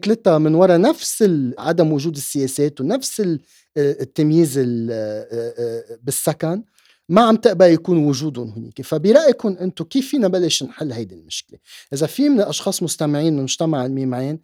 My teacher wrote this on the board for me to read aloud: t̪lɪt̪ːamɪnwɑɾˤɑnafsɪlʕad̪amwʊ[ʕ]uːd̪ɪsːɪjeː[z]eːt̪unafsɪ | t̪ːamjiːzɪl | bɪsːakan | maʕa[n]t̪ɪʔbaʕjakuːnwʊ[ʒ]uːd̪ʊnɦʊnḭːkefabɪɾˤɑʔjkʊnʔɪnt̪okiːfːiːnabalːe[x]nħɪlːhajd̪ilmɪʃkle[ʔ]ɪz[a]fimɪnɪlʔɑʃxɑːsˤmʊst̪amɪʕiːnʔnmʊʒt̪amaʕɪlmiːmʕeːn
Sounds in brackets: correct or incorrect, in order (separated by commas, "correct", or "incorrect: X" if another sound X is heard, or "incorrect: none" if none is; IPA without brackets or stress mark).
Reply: incorrect: ʒ, incorrect: s, incorrect: m, correct, incorrect: ʃ, correct, correct